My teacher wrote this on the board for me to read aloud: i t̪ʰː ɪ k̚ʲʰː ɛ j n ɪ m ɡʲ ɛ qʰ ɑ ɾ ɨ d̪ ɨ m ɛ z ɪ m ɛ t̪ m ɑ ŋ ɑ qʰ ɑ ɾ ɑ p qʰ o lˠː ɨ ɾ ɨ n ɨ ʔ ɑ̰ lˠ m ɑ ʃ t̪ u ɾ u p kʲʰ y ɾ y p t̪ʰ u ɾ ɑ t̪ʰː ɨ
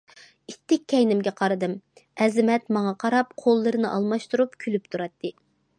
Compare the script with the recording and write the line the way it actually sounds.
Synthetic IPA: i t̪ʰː ɪ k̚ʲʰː ɛ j n ɪ m ɡʲ ɛ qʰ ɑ ɾ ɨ d̪ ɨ m ɛ z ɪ m ɛ t̪ m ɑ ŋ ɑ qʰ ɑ ɾ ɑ p qʰ o lˠː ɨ ɾ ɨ n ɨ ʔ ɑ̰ lˠ m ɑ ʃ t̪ u ɾ u p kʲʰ y l y p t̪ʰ u ɾ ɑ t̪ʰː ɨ